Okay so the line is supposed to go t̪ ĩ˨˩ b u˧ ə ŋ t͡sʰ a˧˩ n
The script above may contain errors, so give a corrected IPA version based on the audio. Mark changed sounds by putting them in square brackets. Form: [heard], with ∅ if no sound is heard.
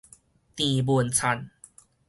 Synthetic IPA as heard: t̪ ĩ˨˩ b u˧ ə [n] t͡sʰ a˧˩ n